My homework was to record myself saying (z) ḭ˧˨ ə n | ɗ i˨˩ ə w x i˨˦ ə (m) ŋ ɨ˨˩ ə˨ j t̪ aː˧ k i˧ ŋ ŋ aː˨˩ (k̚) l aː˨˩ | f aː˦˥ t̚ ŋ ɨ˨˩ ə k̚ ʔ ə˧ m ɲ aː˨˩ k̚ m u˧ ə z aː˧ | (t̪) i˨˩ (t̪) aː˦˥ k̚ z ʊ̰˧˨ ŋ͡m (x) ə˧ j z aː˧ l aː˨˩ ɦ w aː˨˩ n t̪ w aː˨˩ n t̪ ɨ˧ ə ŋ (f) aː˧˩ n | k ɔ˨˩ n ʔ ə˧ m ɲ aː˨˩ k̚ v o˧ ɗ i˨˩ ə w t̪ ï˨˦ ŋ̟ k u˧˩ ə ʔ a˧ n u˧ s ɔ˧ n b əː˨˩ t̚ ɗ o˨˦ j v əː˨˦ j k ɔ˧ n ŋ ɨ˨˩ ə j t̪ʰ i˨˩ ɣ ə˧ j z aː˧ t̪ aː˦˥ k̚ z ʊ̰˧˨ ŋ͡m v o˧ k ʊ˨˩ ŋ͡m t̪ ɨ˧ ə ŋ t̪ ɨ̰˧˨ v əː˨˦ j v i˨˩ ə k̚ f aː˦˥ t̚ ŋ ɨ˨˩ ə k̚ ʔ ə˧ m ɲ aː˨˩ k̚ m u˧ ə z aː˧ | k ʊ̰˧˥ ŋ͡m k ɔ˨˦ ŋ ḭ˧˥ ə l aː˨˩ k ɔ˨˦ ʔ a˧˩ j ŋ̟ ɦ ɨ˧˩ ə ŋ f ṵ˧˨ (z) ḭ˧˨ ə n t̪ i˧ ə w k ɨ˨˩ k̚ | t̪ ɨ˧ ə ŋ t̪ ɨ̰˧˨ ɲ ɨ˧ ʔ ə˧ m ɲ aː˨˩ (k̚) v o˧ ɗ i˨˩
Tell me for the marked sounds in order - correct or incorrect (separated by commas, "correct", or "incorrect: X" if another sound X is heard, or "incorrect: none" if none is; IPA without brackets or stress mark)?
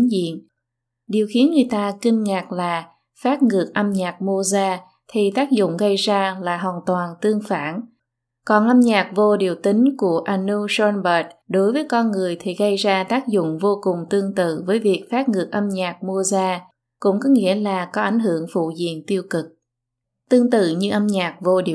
correct, incorrect: n, correct, incorrect: t̪ʰ, correct, incorrect: ɣ, correct, correct, correct